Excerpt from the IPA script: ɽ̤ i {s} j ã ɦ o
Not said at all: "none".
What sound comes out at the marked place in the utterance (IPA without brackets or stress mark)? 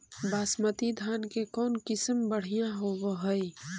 none